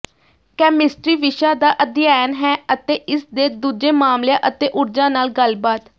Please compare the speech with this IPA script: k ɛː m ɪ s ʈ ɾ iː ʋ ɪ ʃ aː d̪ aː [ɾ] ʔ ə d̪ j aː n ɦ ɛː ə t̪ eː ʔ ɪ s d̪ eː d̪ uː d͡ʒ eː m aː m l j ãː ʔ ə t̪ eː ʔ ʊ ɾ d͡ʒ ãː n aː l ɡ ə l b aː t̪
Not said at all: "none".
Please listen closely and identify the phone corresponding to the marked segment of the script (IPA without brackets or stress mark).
none